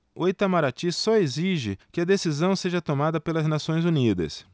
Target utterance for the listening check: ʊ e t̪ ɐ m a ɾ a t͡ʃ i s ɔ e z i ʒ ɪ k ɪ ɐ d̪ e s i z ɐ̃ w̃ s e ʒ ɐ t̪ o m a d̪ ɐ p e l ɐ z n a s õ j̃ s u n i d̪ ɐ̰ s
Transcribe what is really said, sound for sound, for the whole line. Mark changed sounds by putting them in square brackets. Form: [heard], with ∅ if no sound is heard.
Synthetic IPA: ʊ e t̪ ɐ m a ɾ a t͡ʃ i s ɔ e z i ʒ ɪ k ɪ ɐ d̪ e s i z ɐ̃ w̃ s e ʒ ɐ t̪ o m a d̪ ɐ p e l ɐ z n a s õ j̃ [z] u n i d̪ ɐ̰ s

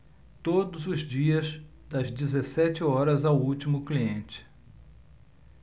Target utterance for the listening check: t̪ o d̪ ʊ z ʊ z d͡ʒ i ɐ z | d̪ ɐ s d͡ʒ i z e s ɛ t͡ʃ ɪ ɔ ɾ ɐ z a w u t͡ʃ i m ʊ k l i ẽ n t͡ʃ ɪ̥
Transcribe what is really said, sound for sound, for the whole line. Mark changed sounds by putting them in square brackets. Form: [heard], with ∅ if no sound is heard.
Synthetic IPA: t̪ o d̪ ʊ z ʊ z d͡ʒ i ɐ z | d̪ ɐ [z] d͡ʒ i z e s ɛ t͡ʃ ɪ ɔ ɾ ɐ z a w u t͡ʃ i m ʊ k l i ẽ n t͡ʃ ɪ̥

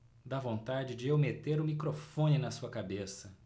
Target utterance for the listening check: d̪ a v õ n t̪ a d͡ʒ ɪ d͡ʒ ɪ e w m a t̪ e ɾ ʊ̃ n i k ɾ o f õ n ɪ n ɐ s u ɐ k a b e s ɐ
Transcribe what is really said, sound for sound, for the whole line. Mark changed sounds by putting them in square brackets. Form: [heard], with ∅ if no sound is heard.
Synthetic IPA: d̪ a v õ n t̪ a d͡ʒ ɪ d͡ʒ ɪ e w m [e] t̪ e ɾ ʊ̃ [m] i k ɾ o f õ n ɪ n ɐ s u ɐ k a b e s ɐ

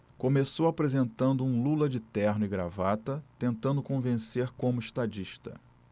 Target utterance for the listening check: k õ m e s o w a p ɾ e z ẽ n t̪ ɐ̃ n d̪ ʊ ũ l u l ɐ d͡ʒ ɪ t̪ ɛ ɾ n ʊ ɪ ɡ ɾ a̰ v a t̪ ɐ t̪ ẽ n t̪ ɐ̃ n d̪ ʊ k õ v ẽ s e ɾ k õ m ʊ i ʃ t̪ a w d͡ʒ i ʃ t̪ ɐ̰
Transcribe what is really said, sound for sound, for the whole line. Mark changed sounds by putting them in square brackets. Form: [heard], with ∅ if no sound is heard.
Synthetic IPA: k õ m e s o w a p ɾ e z ẽ n t̪ ɐ̃ n d̪ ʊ ũ l u l ɐ d͡ʒ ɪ t̪ ɛ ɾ n ʊ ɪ ɡ ɾ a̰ v a t̪ ɐ t̪ ẽ n t̪ ɐ̃ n d̪ ʊ k õ v ẽ s e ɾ k õ m ʊ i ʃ t̪ a [∅] d͡ʒ i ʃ t̪ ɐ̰

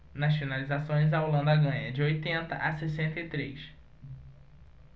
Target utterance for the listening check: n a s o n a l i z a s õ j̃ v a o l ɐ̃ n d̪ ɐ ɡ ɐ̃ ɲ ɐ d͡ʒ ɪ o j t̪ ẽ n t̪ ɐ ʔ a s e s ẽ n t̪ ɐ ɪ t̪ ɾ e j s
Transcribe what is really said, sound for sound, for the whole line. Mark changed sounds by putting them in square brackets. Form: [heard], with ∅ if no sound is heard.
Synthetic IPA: n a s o n a l i z a s õ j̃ [z] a o l ɐ̃ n d̪ ɐ ɡ ɐ̃ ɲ ɐ d͡ʒ ɪ o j t̪ ẽ n t̪ ɐ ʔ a s e s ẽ n t̪ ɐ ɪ t̪ ɾ e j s

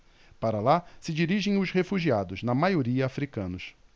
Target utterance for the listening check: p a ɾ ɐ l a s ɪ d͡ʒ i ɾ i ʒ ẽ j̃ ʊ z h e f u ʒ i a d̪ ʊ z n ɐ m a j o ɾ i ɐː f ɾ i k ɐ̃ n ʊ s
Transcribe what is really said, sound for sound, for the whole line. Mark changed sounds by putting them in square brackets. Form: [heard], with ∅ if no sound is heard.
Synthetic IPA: p a ɾ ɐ l a s ɪ d͡ʒ i ɾ i ʒ ẽ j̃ ʊ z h e f u ʒ i a d̪ ʊ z n ɐ m a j o ɾ i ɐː f ɾ i k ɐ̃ n ʊ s

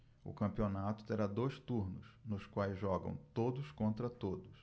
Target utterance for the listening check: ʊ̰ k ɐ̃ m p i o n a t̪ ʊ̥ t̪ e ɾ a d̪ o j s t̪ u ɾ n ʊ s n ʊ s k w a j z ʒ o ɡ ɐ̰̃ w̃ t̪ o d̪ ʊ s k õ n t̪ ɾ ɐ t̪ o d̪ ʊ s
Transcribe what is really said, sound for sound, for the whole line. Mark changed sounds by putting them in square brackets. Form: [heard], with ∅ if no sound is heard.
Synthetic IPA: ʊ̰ k ɐ̃ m p i o n a t̪ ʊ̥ t̪ e ɾ a d̪ o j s t̪ u ɾ n ʊ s n ʊ s k w a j z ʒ [ɔ] ɡ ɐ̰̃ w̃ t̪ o d̪ ʊ s k õ n t̪ ɾ ɐ t̪ o d̪ ʊ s

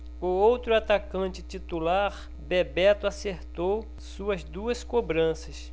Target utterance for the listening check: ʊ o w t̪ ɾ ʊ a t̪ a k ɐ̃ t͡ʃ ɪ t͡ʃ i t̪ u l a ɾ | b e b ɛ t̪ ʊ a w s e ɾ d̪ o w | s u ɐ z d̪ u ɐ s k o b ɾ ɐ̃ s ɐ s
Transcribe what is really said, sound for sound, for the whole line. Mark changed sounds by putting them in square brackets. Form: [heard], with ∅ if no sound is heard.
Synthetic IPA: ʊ o w t̪ ɾ ʊ a t̪ a k ɐ̃ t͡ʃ ɪ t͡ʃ i t̪ u l a ɾ | b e b ɛ t̪ ʊ a [∅] s e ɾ [t̪] o w | s u ɐ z d̪ u ɐ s k o b ɾ ɐ̃ s ɐ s

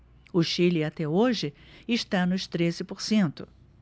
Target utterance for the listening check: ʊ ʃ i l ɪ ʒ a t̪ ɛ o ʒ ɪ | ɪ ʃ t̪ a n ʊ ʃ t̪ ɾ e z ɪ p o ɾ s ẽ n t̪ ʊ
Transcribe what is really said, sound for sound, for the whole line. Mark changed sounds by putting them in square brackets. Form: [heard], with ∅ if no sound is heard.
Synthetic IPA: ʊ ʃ i l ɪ [∅] a t̪ ɛ o ʒ ɪ | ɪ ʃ t̪ a n ʊ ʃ t̪ ɾ e z ɪ p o ɾ s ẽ n t̪ ʊ

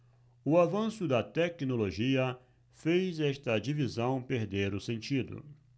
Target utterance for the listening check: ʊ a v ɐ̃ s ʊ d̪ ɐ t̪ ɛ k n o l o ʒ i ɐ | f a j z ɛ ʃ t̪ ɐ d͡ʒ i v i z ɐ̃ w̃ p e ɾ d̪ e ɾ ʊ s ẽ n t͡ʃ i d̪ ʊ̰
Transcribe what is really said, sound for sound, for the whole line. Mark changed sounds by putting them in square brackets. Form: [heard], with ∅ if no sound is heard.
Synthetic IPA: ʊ a v ɐ̃ s ʊ d̪ ɐ t̪ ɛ k n o l o ʒ i ɐ | f [e] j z ɛ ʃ t̪ ɐ d͡ʒ i v i z ɐ̃ w̃ p e ɾ d̪ e ɾ ʊ s ẽ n t͡ʃ i d̪ ʊ̰

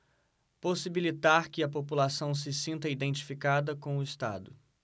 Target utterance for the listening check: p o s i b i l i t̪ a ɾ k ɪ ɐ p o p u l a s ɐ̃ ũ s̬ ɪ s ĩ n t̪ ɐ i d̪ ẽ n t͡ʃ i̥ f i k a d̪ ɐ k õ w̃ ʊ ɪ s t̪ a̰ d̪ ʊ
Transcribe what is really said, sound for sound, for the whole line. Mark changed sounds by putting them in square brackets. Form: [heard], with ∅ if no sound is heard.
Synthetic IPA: p o s i b i l i t̪ a ɾ k ɪ ɐ p o p u l a s ɐ̃ [w̃] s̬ ɪ s ĩ n t̪ ɐ i d̪ ẽ n t͡ʃ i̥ f i k a d̪ ɐ k õ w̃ ʊ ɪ s t̪ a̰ d̪ ʊ

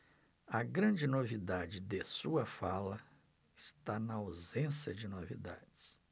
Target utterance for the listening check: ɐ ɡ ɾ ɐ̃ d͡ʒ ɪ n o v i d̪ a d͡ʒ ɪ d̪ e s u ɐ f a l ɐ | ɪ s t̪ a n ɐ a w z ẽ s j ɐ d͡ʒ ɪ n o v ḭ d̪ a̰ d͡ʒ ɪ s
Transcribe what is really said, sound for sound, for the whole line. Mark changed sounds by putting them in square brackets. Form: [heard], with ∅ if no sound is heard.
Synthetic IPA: ɐ ɡ ɾ ɐ̃ d͡ʒ ɪ n o v i d̪ a d͡ʒ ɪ d̪ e s u ɐ f a l ɐ | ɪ s t̪ a n ɐ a w z ẽ s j ɐ d͡ʒ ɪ n o v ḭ d̪ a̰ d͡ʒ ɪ s

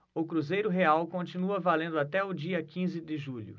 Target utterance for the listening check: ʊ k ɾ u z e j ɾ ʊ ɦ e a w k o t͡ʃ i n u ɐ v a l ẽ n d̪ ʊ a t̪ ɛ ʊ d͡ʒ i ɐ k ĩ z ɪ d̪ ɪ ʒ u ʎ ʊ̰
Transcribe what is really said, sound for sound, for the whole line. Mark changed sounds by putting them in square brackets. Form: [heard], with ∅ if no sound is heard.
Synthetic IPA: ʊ k ɾ u z e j ɾ ʊ ɦ e a w k [õ] t͡ʃ i n u ɐ v a l ẽ n d̪ ʊ a t̪ ɛ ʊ d͡ʒ i ɐ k ĩ z ɪ d̪ ɪ ʒ u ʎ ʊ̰

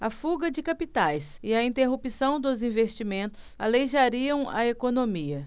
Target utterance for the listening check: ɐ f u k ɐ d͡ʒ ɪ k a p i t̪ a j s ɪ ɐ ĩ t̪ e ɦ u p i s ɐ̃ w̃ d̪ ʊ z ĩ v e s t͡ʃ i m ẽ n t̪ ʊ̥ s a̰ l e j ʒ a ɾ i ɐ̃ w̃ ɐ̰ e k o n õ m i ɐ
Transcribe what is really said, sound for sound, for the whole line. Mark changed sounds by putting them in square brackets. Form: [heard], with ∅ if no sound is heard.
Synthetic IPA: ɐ f u [ɡ] ɐ d͡ʒ ɪ k a p i t̪ a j s ɪ ɐ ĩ t̪ e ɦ u p i s ɐ̃ w̃ d̪ ʊ z ĩ v e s t͡ʃ i m ẽ n t̪ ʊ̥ s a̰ l e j ʒ a ɾ i ɐ̃ w̃ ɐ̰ e k o n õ m i ɐ

